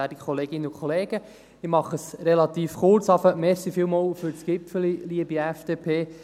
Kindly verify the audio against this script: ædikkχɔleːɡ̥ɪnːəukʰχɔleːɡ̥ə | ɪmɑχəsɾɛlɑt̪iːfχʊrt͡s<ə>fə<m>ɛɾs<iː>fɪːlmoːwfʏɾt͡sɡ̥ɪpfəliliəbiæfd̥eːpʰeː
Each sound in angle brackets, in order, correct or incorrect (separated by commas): incorrect, correct, incorrect